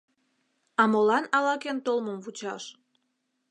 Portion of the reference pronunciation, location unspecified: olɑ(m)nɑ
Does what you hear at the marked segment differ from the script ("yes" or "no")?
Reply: yes